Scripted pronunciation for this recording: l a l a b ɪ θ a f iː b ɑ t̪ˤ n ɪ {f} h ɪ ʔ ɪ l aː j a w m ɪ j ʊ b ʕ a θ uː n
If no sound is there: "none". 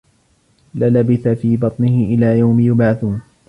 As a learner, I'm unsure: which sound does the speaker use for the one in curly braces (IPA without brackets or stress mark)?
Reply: none